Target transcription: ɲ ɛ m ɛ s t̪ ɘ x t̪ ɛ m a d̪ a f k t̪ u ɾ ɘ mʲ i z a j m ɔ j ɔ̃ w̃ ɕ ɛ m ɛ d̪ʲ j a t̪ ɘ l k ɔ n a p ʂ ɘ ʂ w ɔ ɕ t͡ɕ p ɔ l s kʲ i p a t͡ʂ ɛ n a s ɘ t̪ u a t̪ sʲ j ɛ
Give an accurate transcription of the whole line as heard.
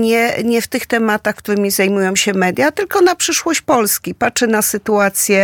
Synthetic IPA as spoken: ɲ ɛ ɲ ɛ f t̪ ɘ x t̪ ɛ m a t̪ a x k t̪ u ɾ ɘ mʲ i z a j m u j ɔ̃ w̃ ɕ ɛ m ɛ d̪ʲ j a t̪ ɘ l k ɔ n a p ʂ ɘ ʂ w ɔ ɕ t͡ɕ p ɔ l s kʲ i p a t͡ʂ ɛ n a s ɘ t̪ u a t̪ sʲ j ɛ